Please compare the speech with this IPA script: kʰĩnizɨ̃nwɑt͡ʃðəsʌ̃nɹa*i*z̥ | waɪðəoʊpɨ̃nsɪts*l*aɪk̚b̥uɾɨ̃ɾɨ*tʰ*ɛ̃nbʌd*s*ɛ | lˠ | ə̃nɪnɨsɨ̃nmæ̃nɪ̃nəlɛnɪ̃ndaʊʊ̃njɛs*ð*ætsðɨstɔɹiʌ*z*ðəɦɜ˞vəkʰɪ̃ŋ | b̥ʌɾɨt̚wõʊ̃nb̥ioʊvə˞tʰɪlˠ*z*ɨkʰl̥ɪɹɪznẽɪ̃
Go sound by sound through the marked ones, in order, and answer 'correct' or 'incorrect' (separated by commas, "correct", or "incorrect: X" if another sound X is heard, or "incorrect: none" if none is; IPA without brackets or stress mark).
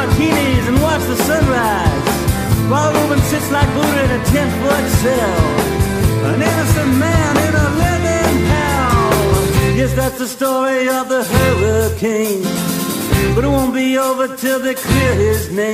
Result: incorrect: ɪ, correct, correct, correct, correct, incorrect: v, incorrect: ð